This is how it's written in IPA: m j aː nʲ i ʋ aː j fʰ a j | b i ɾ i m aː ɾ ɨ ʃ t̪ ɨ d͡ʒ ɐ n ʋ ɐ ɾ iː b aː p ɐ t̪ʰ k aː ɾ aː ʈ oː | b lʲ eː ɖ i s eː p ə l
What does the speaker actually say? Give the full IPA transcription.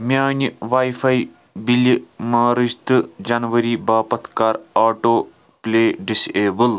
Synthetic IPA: m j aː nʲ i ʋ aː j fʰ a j | b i l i m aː ɾ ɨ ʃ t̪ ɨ d͡ʒ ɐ n ʋ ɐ ɾ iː b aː p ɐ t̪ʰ k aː ɾ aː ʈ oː | p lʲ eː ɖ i s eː b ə l

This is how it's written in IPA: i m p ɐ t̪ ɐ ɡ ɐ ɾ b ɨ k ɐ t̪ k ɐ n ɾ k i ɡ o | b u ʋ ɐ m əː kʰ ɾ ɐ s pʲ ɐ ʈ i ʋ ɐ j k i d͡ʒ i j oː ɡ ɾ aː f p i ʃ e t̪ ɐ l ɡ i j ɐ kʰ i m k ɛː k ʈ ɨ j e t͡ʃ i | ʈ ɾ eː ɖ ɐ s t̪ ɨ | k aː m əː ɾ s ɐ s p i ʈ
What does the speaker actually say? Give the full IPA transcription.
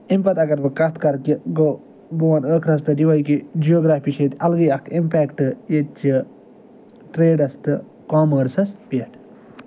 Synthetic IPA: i m p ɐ t̪ ɐ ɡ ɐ ɾ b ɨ k ɐ t̪ k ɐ ɾ k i ɡ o | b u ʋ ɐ n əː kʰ ɾ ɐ s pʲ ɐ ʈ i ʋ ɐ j k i d͡ʒ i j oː ɡ ɾ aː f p i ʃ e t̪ ɐ l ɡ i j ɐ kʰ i m p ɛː k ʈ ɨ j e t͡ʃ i | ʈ ɾ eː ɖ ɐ s t̪ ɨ | k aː m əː ɾ s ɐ s p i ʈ

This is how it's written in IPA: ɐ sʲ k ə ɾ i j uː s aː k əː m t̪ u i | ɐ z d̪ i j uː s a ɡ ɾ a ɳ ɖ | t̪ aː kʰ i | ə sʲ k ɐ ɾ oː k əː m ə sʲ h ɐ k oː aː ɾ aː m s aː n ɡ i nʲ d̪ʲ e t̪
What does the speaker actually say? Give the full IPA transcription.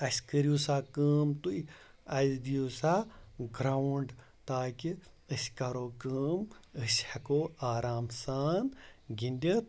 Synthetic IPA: ɐ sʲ k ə ɾ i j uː s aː k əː m t̪ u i | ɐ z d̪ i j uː s a ɡ ɾ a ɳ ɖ | t̪ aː k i | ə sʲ k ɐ ɾ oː k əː m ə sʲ h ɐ k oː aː ɾ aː m s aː n ɡ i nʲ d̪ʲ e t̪

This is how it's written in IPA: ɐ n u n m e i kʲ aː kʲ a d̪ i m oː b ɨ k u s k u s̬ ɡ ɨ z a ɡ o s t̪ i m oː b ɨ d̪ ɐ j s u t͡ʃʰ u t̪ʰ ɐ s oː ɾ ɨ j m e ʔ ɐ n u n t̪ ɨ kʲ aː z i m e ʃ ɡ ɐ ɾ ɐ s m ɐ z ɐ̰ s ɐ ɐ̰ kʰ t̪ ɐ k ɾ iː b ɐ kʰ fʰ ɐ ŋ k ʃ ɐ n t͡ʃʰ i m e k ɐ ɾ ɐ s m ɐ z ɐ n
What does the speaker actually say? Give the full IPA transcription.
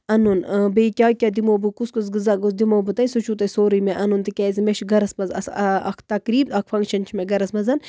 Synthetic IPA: ɐ n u n b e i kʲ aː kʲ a d̪ i m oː b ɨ k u s k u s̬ ɡ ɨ z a ɡ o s d̪ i m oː b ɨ t̪ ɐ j s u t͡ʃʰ u t̪ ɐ s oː ɾ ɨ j m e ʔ ɐ n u n t̪ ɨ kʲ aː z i m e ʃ ɡ ɐ ɾ ɐ s m ɐ z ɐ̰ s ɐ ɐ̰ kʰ t̪ ɐ k ɾ iː b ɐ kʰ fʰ ɐ ŋ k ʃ ɐ n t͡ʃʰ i m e ɡ ɐ ɾ ɐ s m ɐ z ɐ n

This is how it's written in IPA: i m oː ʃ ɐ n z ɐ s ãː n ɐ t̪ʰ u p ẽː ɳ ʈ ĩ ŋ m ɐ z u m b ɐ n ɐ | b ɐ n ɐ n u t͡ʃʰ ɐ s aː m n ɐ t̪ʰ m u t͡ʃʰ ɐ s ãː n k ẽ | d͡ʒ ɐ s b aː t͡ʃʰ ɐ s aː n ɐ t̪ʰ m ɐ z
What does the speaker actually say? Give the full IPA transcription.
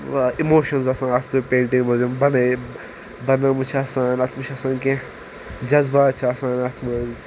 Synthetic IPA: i m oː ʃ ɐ n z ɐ s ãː n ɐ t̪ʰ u p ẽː ɳ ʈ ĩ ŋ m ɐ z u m b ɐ n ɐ | b ɐ n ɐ m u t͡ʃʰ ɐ s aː n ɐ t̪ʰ m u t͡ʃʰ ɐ s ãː n k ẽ | d͡ʒ ɐ z b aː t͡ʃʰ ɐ s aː n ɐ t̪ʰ m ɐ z

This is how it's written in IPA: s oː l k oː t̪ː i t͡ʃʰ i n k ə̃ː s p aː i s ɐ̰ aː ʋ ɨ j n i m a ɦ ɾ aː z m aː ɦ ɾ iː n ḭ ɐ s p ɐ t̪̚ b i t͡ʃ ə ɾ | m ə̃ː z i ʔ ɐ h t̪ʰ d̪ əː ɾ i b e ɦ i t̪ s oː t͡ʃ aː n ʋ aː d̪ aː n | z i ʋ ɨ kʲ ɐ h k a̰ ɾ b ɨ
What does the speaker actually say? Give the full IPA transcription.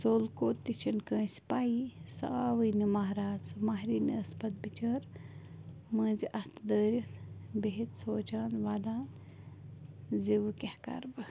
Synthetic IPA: s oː l k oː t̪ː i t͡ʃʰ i n k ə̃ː s p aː i s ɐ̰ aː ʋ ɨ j n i m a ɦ ɾ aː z m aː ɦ ɾ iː n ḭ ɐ s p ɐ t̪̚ b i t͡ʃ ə ɾ | m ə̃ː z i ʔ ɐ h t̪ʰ d̪ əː ɾ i b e ɦ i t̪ s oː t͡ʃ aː n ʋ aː d̪ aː n | z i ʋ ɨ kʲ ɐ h k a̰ ɾ b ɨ

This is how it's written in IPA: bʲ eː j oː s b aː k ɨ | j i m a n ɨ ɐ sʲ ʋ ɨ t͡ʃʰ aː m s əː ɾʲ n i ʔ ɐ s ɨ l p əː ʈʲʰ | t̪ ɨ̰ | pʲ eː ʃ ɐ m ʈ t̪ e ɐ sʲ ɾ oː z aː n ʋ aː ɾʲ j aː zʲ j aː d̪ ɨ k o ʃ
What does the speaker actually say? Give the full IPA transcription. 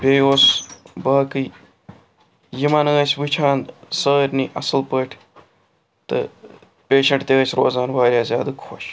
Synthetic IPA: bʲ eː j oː s b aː k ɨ | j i m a n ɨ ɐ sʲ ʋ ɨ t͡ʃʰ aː n s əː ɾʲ n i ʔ ɐ s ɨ l p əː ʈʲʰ | t̪ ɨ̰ | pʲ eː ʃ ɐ ɳ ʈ t̪ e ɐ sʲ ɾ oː z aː n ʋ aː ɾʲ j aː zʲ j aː d̪ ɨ kʰ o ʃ

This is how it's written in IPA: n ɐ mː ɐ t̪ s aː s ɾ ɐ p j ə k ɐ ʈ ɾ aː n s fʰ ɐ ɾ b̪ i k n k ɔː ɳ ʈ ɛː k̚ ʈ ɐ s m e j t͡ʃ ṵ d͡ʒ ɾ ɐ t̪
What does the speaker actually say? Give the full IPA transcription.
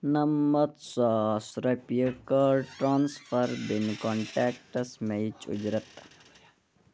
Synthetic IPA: n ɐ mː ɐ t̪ s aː s ɾ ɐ p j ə k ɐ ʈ ɾ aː n s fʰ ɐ ɾ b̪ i n k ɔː ɳ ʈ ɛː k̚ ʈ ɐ s m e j t͡ʃ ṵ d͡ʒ ɾ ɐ t̪

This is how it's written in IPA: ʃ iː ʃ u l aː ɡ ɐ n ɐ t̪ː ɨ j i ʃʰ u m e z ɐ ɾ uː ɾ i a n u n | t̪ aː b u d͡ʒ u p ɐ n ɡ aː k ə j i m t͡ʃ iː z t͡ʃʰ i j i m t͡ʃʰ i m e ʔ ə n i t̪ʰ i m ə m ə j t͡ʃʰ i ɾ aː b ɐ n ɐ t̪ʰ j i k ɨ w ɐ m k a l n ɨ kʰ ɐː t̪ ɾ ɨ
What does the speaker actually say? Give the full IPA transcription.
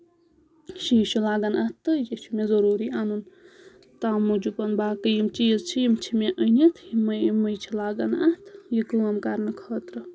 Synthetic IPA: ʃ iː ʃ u l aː ɡ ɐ n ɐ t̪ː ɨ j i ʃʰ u m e z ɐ ɾ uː ɾ i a n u n | t̪ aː m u d͡ʒ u p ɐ n b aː k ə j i m t͡ʃ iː z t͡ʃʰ i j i m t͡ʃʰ i m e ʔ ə n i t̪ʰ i m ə m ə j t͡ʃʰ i l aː ɡ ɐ n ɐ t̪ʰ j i k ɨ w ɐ m k a ɾ n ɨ kʰ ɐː t̪ ɾ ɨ

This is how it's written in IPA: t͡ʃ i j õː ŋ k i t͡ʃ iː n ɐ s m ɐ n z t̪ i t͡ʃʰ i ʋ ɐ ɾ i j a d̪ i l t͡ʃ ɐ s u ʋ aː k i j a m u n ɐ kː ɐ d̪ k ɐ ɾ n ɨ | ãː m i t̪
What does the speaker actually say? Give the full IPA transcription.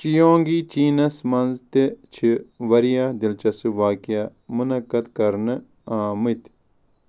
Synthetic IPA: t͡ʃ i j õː ŋ ɡ i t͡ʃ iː n ɐ s m ɐ n z t̪ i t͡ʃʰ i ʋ ɐ ɾ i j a d̪ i l t͡ʃ ɐ s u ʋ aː k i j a m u n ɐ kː ɐ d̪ k ɐ ɾ n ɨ | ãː m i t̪

